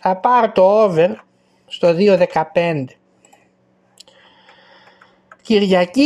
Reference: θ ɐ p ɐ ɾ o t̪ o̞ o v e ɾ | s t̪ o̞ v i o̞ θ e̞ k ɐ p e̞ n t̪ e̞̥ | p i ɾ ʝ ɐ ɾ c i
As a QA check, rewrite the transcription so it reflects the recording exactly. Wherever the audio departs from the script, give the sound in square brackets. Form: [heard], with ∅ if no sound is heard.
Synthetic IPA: θ ɐ p ɐ ɾ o t̪ o̞ o v e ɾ | s t̪ o̞ [ð] i o̞ [ð] e̞ k ɐ p e̞ n [d̪] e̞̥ | [c] i ɾ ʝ ɐ [∅] c i